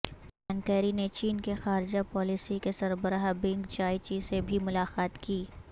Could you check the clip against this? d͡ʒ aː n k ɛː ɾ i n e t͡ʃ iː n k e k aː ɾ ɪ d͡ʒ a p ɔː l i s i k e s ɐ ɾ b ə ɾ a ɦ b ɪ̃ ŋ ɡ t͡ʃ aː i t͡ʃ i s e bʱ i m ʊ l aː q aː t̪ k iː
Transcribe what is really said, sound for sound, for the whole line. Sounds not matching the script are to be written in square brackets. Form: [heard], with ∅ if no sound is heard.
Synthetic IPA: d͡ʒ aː n k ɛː ɾ i n e t͡ʃ iː n k e [x] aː ɾ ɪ d͡ʒ a p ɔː l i s i k e s ɐ ɾ b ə ɾ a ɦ b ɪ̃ ŋ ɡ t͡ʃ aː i t͡ʃ i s e bʱ i m ʊ l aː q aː t̪ k iː